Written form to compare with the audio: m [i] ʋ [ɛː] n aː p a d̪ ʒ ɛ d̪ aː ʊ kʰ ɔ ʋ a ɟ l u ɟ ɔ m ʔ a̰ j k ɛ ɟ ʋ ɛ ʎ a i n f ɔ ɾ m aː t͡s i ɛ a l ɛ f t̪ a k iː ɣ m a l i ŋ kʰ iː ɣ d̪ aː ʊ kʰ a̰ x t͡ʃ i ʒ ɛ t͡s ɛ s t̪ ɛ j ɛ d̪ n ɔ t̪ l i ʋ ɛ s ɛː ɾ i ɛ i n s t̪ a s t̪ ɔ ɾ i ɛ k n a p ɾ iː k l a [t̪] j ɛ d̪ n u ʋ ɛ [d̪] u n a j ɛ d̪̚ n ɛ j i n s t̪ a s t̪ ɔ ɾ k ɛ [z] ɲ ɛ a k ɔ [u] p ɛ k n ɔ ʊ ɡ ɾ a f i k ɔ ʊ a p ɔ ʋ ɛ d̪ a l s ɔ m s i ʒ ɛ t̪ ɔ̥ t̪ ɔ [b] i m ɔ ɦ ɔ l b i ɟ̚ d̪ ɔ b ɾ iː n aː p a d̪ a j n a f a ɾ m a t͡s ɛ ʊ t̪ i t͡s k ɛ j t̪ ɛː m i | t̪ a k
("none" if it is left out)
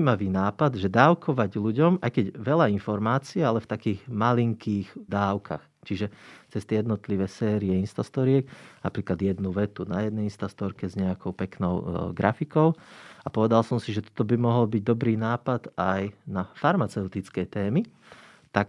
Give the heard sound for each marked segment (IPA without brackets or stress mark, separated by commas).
a, iː, d̪, t̪, z, ʊ, b